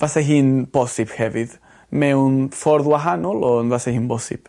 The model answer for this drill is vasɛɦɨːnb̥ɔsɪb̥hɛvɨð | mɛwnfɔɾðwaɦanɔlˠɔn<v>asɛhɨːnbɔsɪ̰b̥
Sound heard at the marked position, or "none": v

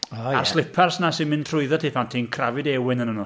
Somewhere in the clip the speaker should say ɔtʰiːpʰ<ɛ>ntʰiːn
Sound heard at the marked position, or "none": a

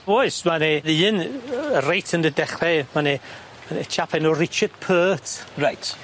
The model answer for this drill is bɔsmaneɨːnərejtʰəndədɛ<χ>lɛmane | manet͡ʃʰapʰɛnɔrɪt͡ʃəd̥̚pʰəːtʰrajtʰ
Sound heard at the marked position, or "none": χ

